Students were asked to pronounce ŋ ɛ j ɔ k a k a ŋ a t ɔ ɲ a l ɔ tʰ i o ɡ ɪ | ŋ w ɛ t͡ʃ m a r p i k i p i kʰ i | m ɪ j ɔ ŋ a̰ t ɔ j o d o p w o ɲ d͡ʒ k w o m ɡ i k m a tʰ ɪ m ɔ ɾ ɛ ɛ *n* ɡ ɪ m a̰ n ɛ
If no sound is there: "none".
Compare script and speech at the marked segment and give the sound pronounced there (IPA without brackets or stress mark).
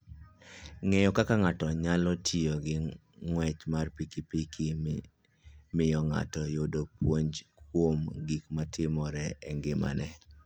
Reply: ŋ